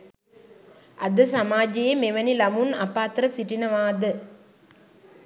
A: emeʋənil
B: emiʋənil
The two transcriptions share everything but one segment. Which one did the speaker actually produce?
A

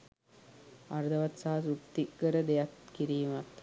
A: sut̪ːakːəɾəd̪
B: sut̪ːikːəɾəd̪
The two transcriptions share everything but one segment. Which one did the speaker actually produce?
B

